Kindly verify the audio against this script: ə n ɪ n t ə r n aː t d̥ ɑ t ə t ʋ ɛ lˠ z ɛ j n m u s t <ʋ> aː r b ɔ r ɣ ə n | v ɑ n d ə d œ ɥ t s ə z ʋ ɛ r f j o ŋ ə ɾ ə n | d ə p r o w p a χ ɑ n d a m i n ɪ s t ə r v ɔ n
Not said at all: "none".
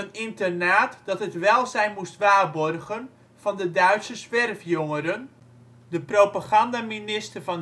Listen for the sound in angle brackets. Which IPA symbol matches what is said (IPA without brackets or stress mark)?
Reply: ʋ